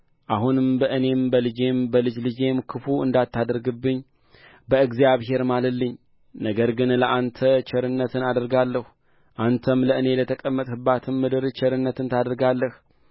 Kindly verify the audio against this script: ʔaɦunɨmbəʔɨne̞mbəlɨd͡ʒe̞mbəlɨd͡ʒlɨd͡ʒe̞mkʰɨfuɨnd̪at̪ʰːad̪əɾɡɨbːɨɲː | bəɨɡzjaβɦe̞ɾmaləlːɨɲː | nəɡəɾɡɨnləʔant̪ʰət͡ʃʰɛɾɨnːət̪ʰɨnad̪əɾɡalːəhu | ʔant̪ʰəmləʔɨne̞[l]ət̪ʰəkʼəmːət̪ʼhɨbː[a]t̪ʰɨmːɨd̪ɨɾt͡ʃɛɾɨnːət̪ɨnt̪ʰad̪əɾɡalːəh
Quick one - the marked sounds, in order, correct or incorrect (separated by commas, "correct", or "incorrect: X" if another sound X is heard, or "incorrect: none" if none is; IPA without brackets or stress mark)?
correct, correct